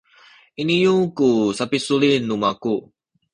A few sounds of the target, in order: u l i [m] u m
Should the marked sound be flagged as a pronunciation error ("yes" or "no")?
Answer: yes